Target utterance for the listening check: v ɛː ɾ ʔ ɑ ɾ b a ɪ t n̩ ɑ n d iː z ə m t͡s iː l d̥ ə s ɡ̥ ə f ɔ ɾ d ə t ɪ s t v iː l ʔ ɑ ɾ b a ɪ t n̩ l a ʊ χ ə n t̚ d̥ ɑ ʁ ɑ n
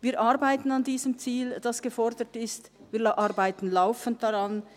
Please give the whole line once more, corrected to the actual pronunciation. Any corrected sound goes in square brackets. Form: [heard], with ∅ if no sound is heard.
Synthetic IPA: v [iː] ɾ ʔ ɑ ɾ b a ɪ t n̩ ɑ n d iː z ə m t͡s iː l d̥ [ɑ] s ɡ̥ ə f ɔ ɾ d ə t ɪ s t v iː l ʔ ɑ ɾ b a ɪ t n̩ l a ʊ [f] ə n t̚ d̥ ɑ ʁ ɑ n